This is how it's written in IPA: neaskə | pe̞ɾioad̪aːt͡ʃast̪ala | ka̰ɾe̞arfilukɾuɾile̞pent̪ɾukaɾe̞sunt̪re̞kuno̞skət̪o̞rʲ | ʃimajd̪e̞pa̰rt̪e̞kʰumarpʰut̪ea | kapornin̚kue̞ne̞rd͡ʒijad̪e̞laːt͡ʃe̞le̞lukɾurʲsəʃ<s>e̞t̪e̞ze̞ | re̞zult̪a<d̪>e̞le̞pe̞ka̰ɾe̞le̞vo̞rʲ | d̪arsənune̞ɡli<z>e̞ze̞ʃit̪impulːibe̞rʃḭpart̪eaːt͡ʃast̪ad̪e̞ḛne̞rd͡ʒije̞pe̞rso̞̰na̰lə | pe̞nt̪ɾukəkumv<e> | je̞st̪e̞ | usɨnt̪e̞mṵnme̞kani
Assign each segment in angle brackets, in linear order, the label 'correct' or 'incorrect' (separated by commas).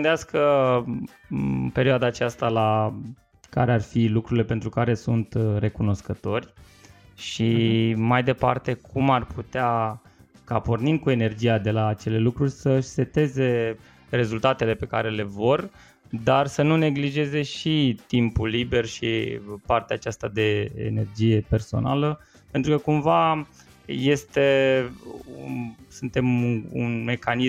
correct, incorrect, incorrect, incorrect